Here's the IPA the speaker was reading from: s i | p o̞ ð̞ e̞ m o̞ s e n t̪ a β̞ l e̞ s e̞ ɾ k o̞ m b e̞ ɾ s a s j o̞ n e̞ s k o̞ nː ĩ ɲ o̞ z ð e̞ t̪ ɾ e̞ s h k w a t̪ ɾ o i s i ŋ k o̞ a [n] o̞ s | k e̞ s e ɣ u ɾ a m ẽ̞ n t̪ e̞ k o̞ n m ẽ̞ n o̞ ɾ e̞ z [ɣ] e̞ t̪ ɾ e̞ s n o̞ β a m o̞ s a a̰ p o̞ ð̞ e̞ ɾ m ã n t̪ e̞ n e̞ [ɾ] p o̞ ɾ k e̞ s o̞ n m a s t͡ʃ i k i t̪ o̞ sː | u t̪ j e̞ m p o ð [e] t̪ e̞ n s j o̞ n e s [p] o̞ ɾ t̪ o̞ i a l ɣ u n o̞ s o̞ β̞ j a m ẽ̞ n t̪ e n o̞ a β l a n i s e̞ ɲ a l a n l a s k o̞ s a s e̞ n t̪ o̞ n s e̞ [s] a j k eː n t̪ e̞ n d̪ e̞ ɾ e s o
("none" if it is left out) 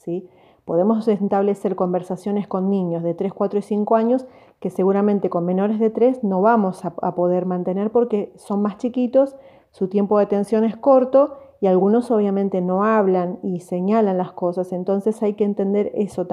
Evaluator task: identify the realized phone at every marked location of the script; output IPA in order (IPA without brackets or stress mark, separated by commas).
ɲ, ð, ɾ, e, k, s